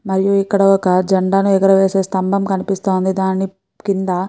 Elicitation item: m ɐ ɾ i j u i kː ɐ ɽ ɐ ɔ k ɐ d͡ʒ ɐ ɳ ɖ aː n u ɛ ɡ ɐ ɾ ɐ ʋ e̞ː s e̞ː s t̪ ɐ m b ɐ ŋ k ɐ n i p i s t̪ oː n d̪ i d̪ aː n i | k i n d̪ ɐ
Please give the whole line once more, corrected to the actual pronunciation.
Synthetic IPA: m ɐ ɾ i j u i kː ɐ ɽ ɐ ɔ k ɐ d͡ʒ ɐ ɳ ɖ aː n u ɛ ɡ ɐ ɾ ɐ ʋ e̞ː s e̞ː s t̪ ɐ m b ɐ m k ɐ n i p i s t̪ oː n d̪ i d̪ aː n i | k i n d̪ ɐ

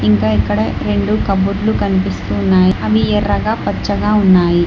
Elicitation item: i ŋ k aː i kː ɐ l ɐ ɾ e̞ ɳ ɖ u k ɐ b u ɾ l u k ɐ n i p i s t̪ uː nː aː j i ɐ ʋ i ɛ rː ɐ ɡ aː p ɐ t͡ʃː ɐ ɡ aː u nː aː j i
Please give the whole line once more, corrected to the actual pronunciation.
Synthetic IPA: i ŋ k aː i kː ɐ ɽ ɐ ɾ e̞ ɳ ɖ u k ɐ b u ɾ l u k ɐ n i p i s t̪ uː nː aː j i ɐ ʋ i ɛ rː ɐ ɡ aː p ɐ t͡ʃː ɐ ɡ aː u nː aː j i

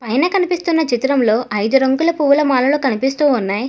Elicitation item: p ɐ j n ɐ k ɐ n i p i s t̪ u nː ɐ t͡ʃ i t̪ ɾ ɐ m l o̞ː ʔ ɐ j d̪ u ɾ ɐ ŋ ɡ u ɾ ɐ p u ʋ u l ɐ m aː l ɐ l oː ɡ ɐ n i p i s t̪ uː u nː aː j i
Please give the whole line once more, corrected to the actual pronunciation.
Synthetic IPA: p ɐ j n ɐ k ɐ n i p i s t̪ u nː ɐ t͡ʃ i t̪ ɾ ɐ m l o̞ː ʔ ɐ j d̪ u ɾ ɐ ŋ ɡ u l ɐ p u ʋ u l ɐ m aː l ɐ l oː k ɐ n i p i s t̪ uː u nː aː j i

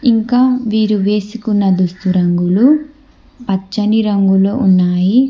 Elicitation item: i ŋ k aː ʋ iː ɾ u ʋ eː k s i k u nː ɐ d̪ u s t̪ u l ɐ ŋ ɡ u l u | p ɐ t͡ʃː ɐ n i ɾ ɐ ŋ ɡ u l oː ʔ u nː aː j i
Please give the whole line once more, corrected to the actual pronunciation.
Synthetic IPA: i ŋ k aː ʋ iː ɾ u ʋ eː s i k u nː ɐ d̪ u s t̪ u ɾ ɐ ŋ ɡ u l u | p ɐ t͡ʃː ɐ n i ɾ ɐ ŋ ɡ u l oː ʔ u nː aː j i

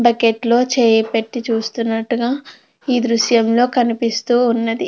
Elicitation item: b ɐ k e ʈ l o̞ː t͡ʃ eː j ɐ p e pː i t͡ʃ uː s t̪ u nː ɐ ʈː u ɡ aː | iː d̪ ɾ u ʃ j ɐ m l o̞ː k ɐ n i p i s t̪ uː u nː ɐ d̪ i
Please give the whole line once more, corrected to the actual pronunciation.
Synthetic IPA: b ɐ k e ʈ l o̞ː t͡ʃ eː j ɐ p e ʈː i t͡ʃ uː s t̪ u nː ɐ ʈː u ɡ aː | iː d̪ ɾ u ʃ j ɐ m l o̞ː k ɐ n i p i s t̪ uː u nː ɐ d̪ i

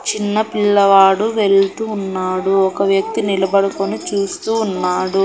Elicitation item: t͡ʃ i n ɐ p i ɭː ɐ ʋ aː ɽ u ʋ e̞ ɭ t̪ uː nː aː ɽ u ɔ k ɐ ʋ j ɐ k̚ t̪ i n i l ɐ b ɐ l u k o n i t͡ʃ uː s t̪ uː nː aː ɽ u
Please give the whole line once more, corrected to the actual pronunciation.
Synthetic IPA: t͡ʃ i nː ɐ p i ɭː ɐ ʋ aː ɽ u ʋ e̞ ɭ t̪ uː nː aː ɽ u ɔ k ɐ ʋ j ɐ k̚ t̪ i n i l ɐ b ɐ ɽ u k o n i t͡ʃ uː s t̪ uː nː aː ɽ u

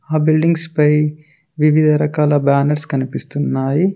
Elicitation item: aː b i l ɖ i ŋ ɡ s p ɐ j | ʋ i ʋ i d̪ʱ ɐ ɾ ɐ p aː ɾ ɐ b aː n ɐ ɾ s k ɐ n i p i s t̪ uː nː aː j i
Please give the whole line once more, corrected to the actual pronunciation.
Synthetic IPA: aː b i l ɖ i ŋ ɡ s p ɐ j | ʋ i ʋ i d̪ʱ ɐ ɾ ɐ k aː l ɐ b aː n ɐ ɾ s k ɐ n i p i s t̪ u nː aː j i

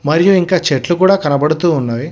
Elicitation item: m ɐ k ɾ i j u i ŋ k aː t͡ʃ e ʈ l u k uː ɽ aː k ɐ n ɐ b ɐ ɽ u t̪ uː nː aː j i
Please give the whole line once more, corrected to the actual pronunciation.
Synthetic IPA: m ɐ ɾ i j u i ŋ k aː t͡ʃ e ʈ l u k uː ɽ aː k ɐ n ɐ b ɐ ɽ u t̪ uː nː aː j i

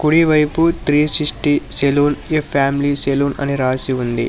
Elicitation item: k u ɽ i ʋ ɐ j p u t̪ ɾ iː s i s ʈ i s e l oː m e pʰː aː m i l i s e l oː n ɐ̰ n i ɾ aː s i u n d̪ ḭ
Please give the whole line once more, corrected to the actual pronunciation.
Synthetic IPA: k u ɽ i ʋ ɐ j p u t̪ ɾ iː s i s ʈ i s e l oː n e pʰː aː m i l i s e l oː n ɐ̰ n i ɾ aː s i u n d̪ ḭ

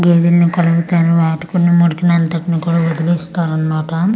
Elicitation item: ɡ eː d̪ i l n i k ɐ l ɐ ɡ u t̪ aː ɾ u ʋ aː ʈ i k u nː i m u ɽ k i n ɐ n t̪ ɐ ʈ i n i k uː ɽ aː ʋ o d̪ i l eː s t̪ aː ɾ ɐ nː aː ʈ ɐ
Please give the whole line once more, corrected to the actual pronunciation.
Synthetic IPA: ɡ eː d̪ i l n i k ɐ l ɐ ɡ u t̪ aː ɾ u ʋ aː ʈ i k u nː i m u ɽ k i n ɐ n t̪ ɐ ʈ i n i k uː ɽ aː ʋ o d̪ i l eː s t̪ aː ɾ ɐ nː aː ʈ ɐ

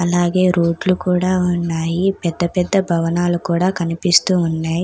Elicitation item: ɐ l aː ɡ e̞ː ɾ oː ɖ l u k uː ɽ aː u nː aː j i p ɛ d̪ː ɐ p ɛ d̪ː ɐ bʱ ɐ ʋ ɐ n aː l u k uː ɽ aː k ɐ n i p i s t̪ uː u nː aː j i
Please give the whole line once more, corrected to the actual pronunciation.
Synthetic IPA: ɐ l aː ɡ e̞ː ɾ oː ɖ l u k uː ɽ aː u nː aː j i p ɛ d̪ː ɐ p ɛ d̪ː ɐ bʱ ɐ ʋ ɐ n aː l u k uː ɽ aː k ɐ n i p i s t̪ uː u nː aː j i

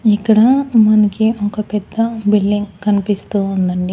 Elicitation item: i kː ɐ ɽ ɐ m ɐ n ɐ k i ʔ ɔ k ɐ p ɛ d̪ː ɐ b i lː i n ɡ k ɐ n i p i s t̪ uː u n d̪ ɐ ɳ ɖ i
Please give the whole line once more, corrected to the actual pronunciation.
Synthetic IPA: i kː ɐ ɽ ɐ m ɐ n ɐ k i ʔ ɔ k ɐ p ɛ d̪ː ɐ b i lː i ŋ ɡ k ɐ n i p i s t̪ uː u n d̪ ɐ ɳ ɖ i

